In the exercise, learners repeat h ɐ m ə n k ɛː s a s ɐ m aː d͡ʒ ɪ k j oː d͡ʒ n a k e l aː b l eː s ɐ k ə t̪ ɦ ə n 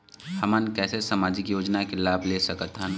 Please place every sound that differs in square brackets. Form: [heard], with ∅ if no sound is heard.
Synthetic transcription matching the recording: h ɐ m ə n k ɛː s [e] s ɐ m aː d͡ʒ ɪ k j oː d͡ʒ n a k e l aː b l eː s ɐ k ə t̪ ɦ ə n

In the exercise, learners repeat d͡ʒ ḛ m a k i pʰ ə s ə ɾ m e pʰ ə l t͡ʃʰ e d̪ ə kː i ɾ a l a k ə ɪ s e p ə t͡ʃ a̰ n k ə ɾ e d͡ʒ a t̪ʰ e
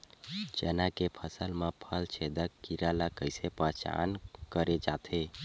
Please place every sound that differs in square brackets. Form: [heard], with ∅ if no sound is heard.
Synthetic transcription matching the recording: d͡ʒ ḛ [n] a k [e] pʰ ə s ə [l] m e pʰ ə l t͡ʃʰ e d̪ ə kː i ɾ a l a k ə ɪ s e p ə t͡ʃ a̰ n k ə ɾ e d͡ʒ a t̪ʰ e

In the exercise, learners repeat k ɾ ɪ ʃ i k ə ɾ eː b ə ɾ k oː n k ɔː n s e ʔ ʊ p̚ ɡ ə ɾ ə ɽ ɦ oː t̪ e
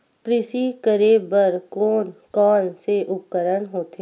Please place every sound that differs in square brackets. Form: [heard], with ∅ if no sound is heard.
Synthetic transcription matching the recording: k ɾ ɪ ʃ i k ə ɾ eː b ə ɾ k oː n k ɔː n s e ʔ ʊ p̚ [k] ə ɾ ə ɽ ɦ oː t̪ e

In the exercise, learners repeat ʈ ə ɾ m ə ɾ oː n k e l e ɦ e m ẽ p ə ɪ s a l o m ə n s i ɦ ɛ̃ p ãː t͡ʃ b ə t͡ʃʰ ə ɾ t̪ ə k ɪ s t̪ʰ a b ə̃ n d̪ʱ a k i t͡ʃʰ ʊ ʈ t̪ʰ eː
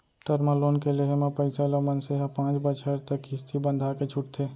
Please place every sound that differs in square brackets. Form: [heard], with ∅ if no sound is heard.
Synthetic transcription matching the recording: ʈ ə ɾ m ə [l] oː n k e l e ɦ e m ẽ p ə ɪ s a l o m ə n s [e] ɦ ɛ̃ p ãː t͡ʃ b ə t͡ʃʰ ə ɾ t̪ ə k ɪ s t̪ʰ [i] b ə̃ n d̪ʱ a k [e] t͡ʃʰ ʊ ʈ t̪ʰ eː

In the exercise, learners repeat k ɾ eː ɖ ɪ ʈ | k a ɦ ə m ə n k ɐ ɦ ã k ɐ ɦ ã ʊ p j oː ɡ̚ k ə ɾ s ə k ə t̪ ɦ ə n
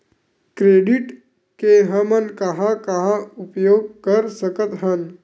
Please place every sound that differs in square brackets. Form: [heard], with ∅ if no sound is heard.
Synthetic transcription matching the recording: k ɾ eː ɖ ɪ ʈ | k [e] ɦ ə m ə n k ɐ ɦ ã k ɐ ɦ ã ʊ p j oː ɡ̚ k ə ɾ s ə k ə t̪ ɦ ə n

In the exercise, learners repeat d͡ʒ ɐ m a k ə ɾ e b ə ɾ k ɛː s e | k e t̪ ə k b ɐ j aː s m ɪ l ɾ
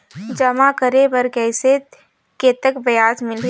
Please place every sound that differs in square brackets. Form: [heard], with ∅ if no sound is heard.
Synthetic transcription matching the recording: d͡ʒ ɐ m a k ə ɾ e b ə ɾ k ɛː s e | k e t̪ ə k b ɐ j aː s m ɪ l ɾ

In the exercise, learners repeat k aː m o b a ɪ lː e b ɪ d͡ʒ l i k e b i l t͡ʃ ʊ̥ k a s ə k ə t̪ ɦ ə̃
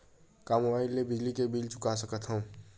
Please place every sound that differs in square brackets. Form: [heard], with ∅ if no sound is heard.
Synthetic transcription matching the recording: k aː m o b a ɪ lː e b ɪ d͡ʒ l i k e b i l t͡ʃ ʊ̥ k a s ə k ə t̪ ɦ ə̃

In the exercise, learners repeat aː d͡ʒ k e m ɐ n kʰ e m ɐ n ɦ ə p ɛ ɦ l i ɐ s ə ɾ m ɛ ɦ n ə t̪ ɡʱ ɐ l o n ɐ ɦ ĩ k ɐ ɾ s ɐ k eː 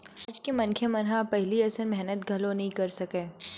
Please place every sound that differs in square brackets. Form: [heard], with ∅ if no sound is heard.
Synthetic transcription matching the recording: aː d͡ʒ k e m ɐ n kʰ e m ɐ n ɦ [a] p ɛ ɦ l i ɐ s ə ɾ m ɛ ɦ n ə t̪ ɡʱ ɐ l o n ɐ ɦ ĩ k ɐ ɾ s ɐ k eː

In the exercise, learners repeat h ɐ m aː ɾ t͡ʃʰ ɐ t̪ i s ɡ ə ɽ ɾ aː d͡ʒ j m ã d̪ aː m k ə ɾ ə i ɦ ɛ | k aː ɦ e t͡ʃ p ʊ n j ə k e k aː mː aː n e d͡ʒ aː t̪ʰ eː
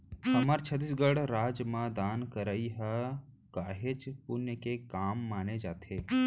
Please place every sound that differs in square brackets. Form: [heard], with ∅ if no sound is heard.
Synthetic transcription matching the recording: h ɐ m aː ɾ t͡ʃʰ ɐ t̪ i s ɡ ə ɽ ɾ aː d͡ʒ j m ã d̪ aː [n] k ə ɾ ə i ɦ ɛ | k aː ɦ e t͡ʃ p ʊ n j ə k e k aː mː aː n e d͡ʒ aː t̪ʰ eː

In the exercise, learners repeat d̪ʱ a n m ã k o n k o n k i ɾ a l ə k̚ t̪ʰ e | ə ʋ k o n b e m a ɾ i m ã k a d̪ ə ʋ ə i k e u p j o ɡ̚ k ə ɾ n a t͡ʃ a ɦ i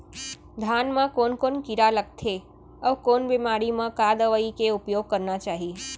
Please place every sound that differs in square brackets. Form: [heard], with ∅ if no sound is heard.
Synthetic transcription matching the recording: d̪ʱ a n m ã k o n k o n k i ɾ a l ə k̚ t̪ʰ e | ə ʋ k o n b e m a ɾ i m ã k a d̪ ə ʋ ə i k e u p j o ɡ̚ k ə ɾ n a t͡ʃ a ɦ i

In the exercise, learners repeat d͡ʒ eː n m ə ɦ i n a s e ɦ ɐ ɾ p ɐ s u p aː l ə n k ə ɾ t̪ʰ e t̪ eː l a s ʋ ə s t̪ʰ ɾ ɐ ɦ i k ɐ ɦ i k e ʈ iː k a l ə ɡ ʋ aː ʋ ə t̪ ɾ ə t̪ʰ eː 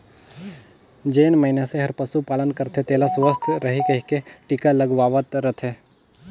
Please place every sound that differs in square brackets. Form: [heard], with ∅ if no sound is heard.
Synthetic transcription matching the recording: d͡ʒ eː n m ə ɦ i n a s e ɦ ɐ ɾ p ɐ s u p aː l ə n k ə ɾ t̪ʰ e t̪ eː l a s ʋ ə s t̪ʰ ɾ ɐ ɦ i k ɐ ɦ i k e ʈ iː k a l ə ɡ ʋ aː ʋ ə t̪ ɾ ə t̪ʰ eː

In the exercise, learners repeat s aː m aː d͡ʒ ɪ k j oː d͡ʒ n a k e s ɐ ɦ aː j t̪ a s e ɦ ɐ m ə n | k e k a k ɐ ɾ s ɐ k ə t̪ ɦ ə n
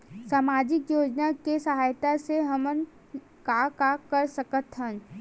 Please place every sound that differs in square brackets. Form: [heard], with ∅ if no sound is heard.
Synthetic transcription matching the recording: s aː m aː d͡ʒ ɪ k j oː d͡ʒ n a k e s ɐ ɦ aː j t̪ a s e ɦ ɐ m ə n | k [a] k a k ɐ ɾ s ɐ k ə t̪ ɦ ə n

